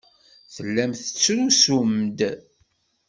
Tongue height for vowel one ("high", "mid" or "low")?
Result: mid